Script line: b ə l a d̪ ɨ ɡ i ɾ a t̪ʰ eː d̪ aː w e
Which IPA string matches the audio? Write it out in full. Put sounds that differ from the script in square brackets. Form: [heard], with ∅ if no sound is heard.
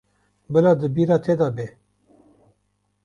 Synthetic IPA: b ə l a d̪ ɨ [b] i ɾ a t̪ʰ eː d̪ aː [b] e